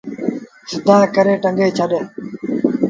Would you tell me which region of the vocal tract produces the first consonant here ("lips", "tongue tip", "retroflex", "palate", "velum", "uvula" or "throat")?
tongue tip